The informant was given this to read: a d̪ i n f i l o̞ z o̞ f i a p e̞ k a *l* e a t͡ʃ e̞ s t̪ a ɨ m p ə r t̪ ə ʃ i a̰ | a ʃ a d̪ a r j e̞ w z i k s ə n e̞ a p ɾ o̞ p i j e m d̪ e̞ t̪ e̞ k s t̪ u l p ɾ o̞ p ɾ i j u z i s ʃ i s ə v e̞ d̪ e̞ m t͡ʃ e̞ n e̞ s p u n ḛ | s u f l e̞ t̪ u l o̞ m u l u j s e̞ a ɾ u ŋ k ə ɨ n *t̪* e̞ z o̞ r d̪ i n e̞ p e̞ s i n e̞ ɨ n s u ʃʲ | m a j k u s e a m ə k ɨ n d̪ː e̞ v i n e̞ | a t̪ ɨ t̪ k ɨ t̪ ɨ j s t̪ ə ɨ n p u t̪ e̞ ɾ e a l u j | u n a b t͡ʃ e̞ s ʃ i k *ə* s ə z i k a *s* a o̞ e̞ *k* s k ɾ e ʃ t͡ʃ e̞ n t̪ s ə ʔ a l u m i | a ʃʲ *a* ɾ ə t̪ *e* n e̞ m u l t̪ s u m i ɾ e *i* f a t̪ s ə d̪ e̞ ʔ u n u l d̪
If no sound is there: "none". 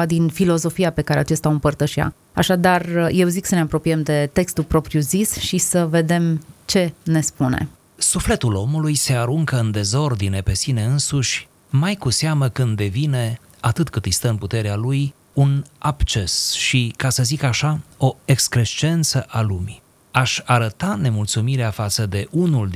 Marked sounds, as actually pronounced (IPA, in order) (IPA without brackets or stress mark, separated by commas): ɾ, d̪, a, ʃ, k, a, a, a